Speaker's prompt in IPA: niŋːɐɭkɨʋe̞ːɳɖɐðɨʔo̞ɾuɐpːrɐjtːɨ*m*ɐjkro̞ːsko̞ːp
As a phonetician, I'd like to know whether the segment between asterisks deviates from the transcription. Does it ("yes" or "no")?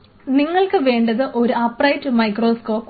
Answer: no